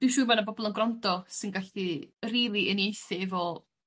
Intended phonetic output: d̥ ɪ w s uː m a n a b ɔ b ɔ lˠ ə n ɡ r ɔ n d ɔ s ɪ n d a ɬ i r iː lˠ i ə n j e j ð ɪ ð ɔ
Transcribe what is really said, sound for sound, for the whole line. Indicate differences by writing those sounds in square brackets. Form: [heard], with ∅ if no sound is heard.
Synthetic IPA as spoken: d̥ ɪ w [ʃ] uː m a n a b ɔ b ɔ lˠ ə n ɡ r ɔ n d ɔ s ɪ n [ɡ] a ɬ i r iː lˠ i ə n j e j [θ] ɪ [v] ɔ